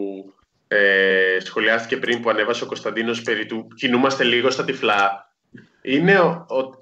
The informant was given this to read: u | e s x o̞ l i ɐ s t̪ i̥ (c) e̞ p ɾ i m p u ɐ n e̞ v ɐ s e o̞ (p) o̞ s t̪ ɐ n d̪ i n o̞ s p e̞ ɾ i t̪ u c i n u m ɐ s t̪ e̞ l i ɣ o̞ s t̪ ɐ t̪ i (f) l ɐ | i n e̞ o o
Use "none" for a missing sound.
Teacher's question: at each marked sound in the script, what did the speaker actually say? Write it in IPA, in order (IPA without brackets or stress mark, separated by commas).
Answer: c, k, f